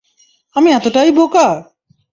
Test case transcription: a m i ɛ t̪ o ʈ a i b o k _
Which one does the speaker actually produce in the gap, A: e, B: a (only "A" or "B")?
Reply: B